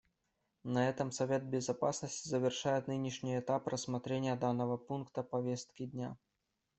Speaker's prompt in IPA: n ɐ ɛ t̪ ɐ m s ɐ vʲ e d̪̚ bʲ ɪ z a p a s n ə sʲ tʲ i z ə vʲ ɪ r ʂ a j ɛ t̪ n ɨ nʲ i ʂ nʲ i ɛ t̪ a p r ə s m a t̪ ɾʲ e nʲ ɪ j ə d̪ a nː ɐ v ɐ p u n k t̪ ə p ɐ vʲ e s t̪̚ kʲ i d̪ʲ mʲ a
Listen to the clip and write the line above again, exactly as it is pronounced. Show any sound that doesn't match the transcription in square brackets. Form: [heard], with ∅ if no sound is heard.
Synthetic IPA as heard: n ɐ ɛ t̪ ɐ m s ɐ vʲ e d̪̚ bʲ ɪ z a p a s n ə sʲ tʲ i z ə vʲ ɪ r ʂ a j ɛ t̪ n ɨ nʲ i ʂ nʲ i ɛ t̪ a p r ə s m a t̪ ɾʲ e nʲ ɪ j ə d̪ a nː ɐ v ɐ p u n k t̪ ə p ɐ vʲ e s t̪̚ kʲ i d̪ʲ [nʲ] a